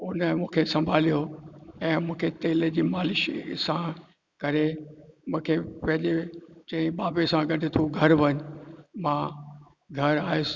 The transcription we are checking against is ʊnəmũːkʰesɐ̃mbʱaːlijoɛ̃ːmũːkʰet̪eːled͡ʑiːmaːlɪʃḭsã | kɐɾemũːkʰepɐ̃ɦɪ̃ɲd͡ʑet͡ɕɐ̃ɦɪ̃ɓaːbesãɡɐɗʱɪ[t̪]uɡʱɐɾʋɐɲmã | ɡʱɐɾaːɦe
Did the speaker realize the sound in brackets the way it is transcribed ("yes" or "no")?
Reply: no